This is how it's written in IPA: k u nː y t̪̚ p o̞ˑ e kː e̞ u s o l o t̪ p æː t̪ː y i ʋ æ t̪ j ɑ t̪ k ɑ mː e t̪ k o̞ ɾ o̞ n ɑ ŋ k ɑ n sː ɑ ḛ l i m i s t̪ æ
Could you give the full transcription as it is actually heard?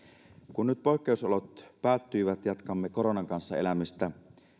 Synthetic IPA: k u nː y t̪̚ p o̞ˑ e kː e̞ u s o l o t̪ p æː t̪ː y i ʋ æ t̪ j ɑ t̪ k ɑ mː e k o̞ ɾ o̞ n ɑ ŋ k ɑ n sː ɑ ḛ l æ m i s t̪ æ